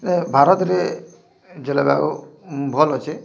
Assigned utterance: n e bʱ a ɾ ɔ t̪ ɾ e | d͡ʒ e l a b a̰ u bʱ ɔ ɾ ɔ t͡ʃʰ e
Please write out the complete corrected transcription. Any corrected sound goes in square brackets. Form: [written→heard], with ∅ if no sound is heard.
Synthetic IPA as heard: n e bʱ a ɾ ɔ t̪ ɾ e | d͡ʒ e l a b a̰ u bʱ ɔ [ɾ→l] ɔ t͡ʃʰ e